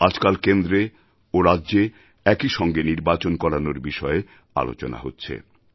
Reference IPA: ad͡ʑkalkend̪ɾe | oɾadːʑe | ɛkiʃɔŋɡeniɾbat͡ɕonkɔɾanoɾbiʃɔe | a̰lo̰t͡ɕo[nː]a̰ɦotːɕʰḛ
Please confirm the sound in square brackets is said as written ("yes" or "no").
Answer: no